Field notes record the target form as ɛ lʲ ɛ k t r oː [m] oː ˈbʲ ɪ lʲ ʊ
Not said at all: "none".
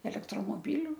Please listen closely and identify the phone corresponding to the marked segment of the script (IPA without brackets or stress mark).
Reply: m